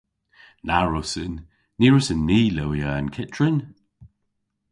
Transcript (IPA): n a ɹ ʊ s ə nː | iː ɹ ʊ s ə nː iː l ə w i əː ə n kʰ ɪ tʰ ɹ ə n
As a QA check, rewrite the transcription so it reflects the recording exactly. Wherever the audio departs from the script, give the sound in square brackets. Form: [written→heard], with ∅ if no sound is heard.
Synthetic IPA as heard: n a ɹ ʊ s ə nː | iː ɹ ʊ s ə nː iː l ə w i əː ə n kʰ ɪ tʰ ɹ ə n